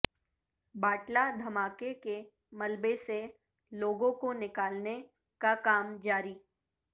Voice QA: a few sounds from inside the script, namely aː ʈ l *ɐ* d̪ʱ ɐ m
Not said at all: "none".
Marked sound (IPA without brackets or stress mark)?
a